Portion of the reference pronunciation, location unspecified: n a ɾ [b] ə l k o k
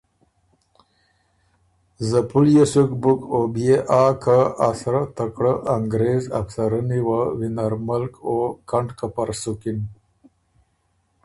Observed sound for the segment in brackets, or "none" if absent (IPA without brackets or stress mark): m